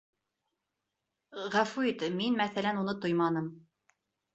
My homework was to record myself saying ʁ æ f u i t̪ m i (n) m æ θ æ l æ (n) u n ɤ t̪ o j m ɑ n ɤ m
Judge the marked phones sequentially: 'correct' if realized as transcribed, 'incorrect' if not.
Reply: correct, correct

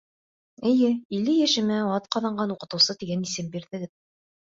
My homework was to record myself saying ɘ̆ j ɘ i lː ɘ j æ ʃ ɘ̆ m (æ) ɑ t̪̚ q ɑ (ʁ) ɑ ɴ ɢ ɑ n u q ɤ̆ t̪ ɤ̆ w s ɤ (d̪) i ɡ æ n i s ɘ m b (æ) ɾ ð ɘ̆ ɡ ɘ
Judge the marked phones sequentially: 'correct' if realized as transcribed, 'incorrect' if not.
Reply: correct, incorrect: ð, incorrect: t̪, incorrect: i

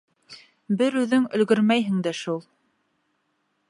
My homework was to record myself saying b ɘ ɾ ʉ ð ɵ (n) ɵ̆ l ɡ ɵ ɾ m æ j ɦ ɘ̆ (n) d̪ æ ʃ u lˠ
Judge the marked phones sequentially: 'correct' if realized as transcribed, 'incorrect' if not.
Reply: incorrect: ŋ, incorrect: ŋ

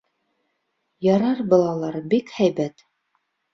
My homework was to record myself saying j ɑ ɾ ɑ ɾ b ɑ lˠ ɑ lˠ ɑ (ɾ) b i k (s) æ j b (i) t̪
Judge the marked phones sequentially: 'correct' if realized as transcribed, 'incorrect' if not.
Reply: correct, incorrect: h, incorrect: æ

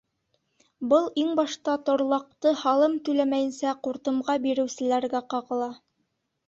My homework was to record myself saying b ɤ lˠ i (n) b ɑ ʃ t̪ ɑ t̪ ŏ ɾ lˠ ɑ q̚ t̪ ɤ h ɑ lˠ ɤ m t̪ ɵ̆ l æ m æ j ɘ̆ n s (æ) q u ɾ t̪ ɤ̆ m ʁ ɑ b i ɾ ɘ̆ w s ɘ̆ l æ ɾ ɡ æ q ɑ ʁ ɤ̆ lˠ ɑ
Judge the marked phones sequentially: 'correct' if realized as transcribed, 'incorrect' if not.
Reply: incorrect: ŋ, correct

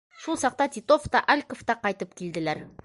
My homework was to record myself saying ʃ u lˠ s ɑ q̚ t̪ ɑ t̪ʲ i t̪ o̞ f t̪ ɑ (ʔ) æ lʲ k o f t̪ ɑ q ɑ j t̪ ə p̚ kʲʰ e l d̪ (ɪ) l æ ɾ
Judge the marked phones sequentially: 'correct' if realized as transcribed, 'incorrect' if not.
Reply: correct, correct

